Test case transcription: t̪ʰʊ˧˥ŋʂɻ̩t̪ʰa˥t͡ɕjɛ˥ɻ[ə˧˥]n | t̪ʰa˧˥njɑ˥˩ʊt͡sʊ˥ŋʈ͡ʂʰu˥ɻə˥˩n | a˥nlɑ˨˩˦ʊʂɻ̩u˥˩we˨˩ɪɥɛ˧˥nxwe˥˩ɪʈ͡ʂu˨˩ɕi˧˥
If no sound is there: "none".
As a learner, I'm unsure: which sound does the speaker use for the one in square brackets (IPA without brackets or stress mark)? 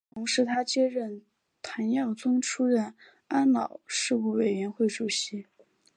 ə˥˩